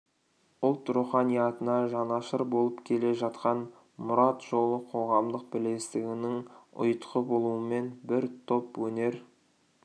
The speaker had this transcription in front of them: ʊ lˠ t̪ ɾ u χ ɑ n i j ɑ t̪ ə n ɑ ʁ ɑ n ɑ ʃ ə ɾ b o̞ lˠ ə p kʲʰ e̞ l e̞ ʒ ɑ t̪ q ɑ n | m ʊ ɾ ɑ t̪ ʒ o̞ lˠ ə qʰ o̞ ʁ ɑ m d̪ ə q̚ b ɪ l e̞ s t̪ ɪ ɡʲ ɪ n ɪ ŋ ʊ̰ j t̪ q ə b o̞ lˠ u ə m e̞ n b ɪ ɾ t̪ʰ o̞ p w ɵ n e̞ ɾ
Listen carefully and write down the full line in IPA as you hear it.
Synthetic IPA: ʊ lˠ t̪ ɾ u χ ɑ n i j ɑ t̪ ə n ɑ ʒ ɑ n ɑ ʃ ə ɾ b o̞ lˠ ə p kʲʰ e̞ l e̞ ʒ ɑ t̪ q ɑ n | m ʊ ɾ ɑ t̪ ʒ o̞ lˠ ə qʰ o̞ ʁ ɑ m d̪ ə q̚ b ɪ l e̞ s t̪ ɪ ɡʲ ɪ n ɪ ŋ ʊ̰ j t̪ q ə b o̞ lˠ u ə m e̞ n b ɪ ɾ t̪ʰ o̞ p w ɵ n e̞ ɾ